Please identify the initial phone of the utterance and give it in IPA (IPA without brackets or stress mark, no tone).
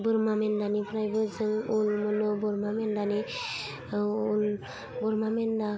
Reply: b